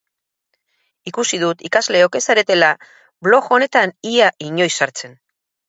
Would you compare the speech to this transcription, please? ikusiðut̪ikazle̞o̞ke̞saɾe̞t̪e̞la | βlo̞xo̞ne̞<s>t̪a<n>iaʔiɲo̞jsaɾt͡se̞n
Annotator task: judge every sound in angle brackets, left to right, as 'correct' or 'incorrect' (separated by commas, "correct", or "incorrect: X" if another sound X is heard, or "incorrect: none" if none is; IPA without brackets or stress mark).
incorrect: none, correct